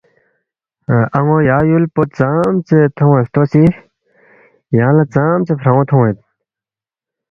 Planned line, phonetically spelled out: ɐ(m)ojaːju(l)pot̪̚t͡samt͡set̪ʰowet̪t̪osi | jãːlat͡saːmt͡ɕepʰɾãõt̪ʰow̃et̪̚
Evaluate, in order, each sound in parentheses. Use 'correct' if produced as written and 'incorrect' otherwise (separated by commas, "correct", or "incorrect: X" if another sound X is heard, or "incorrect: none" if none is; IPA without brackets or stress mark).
incorrect: ŋ, correct